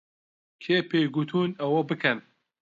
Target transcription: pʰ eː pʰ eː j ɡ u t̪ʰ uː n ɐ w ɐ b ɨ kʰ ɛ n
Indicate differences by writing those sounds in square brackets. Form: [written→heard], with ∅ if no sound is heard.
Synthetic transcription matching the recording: [pʰ→kʰ] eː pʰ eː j ɡ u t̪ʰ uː n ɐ w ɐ b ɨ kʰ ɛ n